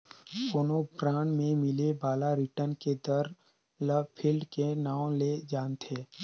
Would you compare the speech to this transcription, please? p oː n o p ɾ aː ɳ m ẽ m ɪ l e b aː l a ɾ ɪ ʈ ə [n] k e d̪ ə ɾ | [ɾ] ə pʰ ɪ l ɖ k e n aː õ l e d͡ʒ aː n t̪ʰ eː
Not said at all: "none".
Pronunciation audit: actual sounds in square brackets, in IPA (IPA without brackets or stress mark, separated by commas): n, l